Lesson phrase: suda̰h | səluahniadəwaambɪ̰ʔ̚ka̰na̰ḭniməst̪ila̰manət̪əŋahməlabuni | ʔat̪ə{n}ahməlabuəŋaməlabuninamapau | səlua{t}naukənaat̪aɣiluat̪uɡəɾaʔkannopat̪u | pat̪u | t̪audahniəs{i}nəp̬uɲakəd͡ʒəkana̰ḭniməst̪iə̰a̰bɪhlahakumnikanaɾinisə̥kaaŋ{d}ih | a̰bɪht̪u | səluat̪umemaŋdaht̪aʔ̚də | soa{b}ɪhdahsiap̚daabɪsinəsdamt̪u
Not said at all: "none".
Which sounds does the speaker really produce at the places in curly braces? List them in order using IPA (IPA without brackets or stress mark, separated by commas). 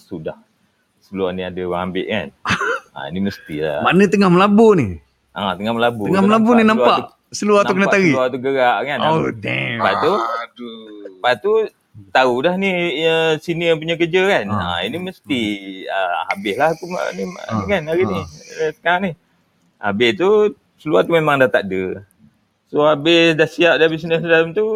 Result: ŋ, t, i, n, b